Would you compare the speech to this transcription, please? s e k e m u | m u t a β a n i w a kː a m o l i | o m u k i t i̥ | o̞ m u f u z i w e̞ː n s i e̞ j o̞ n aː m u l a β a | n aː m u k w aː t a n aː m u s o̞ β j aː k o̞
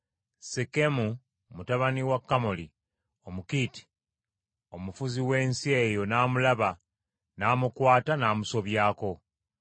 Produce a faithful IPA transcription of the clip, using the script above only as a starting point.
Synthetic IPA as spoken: s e k e m u | m u t a β a n i w a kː a m o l i | o m u k i t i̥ | o̞ m u f u z i w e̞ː n s i e̞ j o̞ n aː m u l a β a | n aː m u k w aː t a n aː m u s o̞ β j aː k o̞